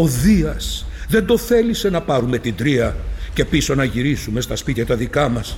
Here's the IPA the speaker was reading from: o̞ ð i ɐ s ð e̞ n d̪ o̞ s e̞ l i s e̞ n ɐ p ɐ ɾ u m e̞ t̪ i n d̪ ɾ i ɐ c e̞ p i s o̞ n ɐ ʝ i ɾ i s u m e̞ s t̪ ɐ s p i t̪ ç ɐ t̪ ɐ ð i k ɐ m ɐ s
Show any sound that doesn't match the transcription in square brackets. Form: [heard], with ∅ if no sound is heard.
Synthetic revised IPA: o̞ ð i ɐ s ð e̞ n d̪ o̞ [θ] e̞ l i s e̞ n ɐ p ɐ ɾ u m e̞ t̪ i n d̪ ɾ i ɐ c e̞ p i s o̞ n ɐ ʝ i ɾ i s u m e̞ s t̪ ɐ s p i t̪ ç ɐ t̪ ɐ ð i k ɐ m ɐ s